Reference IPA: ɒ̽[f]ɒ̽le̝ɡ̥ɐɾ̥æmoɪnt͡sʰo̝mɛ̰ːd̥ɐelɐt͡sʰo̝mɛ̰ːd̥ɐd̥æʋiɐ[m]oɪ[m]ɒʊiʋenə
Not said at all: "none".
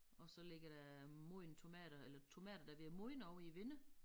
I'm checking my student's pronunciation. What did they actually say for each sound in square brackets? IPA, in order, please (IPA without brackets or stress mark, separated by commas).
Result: s, m, n